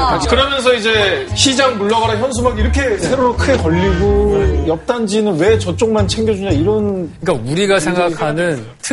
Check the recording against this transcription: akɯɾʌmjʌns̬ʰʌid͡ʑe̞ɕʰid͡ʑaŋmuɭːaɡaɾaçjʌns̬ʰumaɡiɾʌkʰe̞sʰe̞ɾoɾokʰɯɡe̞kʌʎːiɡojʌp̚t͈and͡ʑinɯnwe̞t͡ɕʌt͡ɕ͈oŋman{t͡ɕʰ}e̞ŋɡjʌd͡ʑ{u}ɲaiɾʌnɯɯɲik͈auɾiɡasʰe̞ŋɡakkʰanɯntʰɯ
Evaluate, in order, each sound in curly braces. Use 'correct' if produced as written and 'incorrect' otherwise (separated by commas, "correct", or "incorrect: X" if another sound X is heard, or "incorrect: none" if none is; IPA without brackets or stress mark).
correct, correct